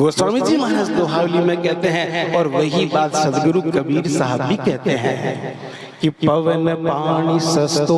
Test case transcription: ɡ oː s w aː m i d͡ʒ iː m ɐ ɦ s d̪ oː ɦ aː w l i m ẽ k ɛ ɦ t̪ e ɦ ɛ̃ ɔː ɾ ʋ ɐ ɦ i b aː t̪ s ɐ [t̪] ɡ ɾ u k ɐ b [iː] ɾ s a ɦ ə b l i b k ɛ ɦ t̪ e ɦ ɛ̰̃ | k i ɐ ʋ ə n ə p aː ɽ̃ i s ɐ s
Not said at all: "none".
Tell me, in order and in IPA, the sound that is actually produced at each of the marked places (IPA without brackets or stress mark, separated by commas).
d̪, iː